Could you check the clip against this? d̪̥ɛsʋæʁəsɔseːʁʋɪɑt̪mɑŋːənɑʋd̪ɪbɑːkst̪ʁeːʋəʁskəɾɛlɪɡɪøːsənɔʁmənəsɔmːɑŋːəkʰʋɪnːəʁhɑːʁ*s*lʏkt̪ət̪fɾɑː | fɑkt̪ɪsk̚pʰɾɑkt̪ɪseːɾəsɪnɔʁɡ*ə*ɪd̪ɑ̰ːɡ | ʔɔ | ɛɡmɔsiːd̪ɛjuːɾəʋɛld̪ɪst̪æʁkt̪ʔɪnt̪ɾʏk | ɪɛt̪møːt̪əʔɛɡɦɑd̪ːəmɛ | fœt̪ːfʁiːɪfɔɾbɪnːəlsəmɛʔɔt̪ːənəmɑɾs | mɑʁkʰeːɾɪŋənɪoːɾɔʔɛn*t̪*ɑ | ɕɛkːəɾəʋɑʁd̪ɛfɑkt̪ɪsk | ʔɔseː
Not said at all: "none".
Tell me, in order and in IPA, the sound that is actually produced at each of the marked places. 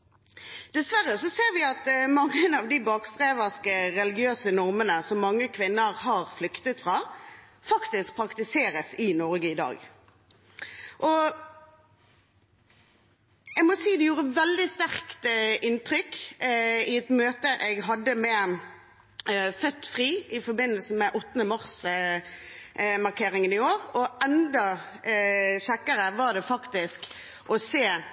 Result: f, ə, d̪

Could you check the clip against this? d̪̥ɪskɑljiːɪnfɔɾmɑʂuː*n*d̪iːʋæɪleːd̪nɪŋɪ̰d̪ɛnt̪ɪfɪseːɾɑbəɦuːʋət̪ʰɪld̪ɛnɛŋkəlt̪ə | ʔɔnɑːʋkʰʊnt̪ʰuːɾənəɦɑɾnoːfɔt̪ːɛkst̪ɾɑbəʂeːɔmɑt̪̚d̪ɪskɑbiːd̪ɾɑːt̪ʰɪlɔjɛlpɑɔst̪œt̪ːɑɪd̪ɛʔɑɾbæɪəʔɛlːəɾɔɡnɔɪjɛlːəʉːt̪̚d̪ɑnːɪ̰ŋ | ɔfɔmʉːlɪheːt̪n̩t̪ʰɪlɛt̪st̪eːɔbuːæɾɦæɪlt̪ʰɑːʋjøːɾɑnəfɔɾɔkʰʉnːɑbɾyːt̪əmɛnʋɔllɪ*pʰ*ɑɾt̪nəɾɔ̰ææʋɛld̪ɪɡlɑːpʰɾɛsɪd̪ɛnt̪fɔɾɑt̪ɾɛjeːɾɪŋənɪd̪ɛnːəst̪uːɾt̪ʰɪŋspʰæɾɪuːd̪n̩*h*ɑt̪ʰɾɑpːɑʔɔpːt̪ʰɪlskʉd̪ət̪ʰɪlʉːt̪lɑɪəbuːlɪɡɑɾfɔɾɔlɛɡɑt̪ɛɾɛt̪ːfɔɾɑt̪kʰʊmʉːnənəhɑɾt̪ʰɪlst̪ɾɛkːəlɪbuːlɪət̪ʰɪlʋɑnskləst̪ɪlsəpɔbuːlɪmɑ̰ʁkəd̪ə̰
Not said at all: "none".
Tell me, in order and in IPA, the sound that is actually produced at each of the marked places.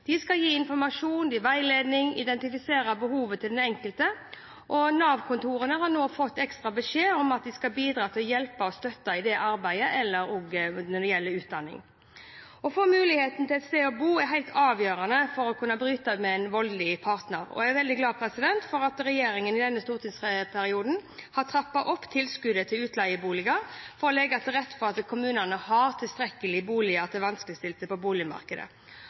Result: n, pʰ, h

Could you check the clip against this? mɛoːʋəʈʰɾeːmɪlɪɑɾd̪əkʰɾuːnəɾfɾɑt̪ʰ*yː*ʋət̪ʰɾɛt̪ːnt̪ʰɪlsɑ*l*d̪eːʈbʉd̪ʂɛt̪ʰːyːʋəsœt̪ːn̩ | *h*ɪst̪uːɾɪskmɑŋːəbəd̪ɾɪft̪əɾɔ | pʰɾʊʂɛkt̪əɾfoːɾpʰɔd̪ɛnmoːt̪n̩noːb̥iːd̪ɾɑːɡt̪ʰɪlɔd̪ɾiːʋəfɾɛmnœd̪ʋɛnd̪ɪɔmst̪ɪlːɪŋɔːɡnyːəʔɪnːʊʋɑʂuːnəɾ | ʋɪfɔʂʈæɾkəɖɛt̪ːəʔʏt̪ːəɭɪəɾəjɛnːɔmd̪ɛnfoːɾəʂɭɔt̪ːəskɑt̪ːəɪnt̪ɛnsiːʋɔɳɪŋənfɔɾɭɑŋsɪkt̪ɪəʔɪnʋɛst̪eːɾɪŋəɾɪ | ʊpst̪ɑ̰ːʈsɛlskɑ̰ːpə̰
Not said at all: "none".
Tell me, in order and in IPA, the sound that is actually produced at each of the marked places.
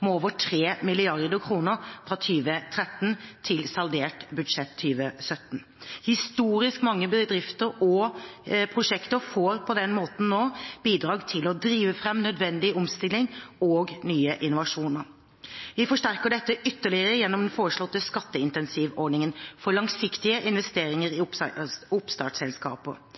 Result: yː, l, h

